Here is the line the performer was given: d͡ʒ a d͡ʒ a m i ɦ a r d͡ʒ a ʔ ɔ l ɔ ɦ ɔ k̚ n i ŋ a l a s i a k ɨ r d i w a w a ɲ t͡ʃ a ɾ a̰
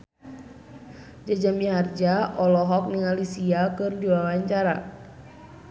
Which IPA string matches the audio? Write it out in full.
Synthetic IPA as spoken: d͡ʒ a d͡ʒ a m i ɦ a r d͡ʒ a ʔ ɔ l ɔ ɦ ɔ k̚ n i ŋ a l i s i a k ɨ r d i w a w a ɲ t͡ʃ a ɾ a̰